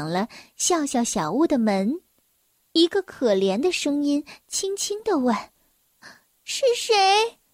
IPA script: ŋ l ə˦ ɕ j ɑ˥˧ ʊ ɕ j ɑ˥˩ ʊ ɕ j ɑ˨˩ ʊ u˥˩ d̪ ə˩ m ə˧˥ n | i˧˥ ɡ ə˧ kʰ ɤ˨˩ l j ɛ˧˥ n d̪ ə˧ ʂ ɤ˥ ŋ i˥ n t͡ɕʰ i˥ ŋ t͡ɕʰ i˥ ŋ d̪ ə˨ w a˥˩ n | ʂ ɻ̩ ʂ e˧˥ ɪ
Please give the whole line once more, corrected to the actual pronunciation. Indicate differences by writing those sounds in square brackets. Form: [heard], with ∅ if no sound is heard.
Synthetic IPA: ŋ l ə˦ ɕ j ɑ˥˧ ʊ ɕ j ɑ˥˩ ʊ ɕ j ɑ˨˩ ʊ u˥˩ d̪ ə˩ m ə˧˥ n | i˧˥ ɡ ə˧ kʰ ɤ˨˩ l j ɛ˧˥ n d̪ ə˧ ʂ ɤ˥ ŋ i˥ n t͡ɕʰ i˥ ŋ t͡ɕʰ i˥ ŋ d̪ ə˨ w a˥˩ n | ʂ ɻ̩ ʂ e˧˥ ɪ